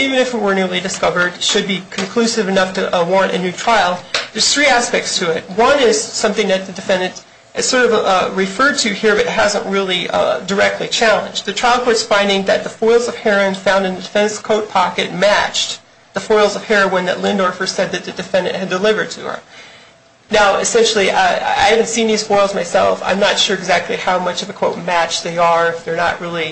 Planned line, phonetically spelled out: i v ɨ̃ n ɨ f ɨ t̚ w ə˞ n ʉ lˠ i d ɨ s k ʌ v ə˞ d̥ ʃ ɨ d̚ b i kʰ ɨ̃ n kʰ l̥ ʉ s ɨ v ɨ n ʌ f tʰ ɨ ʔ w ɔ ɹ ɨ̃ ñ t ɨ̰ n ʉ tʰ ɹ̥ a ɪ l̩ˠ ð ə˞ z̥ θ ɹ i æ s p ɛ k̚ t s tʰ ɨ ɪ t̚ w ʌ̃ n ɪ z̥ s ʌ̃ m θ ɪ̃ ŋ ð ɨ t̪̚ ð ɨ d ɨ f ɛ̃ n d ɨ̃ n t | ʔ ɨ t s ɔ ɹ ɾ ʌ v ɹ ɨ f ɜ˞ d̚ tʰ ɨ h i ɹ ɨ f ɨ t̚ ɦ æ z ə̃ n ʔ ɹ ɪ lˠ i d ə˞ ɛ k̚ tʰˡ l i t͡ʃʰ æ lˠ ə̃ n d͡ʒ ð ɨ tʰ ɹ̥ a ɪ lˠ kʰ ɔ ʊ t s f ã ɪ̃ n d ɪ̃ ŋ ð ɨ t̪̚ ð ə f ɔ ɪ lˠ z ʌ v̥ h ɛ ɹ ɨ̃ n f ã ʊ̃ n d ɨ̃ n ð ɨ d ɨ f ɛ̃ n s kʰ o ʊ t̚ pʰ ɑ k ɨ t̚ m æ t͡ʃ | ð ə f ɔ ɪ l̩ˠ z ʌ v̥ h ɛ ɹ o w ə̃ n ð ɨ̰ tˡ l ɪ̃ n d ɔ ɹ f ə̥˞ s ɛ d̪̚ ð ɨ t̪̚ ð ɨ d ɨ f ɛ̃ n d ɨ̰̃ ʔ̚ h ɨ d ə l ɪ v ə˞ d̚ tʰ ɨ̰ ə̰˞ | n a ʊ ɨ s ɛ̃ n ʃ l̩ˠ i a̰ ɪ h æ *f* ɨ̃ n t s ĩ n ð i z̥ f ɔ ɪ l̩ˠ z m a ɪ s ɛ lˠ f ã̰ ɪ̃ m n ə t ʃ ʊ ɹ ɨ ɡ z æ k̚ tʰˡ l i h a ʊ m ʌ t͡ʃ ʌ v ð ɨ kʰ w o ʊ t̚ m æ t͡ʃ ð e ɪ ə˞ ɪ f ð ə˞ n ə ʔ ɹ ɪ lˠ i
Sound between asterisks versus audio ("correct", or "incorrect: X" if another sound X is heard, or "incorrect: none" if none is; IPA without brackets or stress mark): incorrect: v